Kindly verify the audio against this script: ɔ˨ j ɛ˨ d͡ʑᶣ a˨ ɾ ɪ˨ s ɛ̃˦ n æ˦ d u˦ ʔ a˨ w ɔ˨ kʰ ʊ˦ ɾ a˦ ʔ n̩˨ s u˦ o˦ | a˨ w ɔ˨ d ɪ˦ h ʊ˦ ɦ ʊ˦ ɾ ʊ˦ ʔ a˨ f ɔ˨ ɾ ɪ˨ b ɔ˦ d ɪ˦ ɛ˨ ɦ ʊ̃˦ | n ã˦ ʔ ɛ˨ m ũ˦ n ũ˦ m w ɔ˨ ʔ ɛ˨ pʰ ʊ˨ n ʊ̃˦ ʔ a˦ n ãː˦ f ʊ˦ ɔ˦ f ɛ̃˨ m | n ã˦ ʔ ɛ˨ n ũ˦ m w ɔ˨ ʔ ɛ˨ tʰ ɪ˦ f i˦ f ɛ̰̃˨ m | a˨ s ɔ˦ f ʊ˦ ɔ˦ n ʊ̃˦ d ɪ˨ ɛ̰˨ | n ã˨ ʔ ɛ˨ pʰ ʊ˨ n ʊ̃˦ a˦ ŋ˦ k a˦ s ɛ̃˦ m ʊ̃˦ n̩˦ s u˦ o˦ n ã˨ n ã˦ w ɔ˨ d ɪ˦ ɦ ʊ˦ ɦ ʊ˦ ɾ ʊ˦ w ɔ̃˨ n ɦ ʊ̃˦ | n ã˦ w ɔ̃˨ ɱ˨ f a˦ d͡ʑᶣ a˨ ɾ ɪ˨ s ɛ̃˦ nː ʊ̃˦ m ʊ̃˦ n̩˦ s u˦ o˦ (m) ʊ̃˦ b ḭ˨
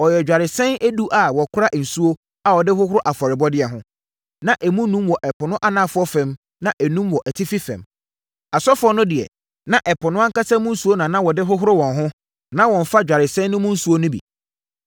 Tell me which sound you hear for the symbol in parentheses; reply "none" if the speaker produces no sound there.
n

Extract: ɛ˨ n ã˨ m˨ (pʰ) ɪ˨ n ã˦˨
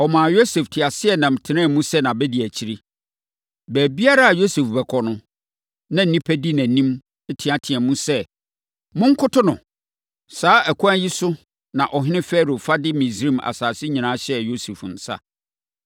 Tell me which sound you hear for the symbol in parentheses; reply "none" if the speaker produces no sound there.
tʰ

